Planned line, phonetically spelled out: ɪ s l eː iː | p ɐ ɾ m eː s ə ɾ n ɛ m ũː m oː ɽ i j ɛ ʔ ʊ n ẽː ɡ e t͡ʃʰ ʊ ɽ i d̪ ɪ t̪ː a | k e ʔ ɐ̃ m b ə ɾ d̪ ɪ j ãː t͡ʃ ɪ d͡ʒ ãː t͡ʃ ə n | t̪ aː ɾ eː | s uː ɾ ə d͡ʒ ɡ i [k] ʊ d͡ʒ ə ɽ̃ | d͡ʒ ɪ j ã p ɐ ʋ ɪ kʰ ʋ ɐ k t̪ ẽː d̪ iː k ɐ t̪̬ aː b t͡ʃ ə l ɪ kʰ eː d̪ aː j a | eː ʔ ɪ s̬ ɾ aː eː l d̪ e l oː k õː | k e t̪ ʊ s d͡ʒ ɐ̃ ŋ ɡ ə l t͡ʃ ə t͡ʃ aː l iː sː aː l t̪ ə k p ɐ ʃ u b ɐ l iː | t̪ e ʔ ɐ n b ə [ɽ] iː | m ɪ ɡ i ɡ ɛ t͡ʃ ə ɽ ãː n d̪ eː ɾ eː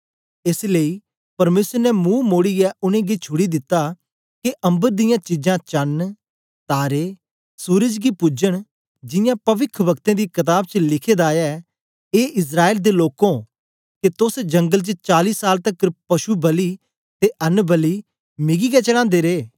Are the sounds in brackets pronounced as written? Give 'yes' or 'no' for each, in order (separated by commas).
no, no